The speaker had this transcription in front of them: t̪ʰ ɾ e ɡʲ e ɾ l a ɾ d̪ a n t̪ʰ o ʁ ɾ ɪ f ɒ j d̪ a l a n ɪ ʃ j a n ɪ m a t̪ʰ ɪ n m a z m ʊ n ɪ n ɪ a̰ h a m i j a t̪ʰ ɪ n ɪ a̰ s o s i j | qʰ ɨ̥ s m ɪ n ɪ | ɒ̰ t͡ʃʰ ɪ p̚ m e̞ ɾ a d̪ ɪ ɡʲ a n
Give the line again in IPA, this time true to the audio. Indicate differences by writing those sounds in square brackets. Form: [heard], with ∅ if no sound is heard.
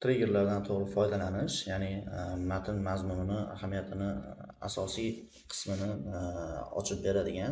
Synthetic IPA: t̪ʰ ɾ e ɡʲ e ɾ l a ɾ d̪ a n t̪ʰ o ʁ ɾ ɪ f ɒ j d̪ a l a n ɪ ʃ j a n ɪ m a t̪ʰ ɪ n m a z m ʊ n ɪ n ɪ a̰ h a m i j a t̪ʰ ɪ n ɪ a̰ s [ɒ] s i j | qʰ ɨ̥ s m ɪ n ɪ | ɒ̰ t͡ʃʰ ɪ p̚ [b] e̞ ɾ a d̪ ɪ ɡʲ a n